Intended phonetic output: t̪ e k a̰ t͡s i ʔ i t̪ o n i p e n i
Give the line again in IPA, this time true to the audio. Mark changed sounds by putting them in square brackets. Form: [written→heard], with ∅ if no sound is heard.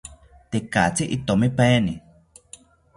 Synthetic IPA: t̪ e k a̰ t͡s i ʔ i t̪ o [n→m] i p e n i